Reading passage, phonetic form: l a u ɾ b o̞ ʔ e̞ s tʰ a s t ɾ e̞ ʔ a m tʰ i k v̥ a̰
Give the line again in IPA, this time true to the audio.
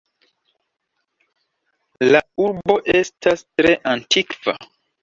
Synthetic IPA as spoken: l a u ɾ b o̞ ʔ e̞ s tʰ a s t ɾ e̞ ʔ a n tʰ i k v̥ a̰